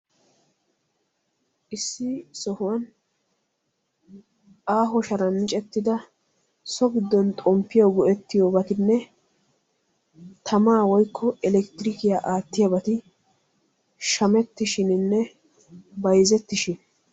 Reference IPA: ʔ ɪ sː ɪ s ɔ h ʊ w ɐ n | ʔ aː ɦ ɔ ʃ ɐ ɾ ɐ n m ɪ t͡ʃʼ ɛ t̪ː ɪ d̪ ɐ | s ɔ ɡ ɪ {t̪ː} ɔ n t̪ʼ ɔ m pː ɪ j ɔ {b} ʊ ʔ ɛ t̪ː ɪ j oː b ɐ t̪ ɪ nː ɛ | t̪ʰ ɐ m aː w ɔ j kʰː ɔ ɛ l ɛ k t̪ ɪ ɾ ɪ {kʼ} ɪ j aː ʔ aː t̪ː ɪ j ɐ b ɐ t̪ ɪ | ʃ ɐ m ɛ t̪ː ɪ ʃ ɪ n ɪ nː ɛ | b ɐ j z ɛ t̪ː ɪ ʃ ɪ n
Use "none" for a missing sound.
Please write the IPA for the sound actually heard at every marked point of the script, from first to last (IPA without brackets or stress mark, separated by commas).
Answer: d̪ː, ɡ, k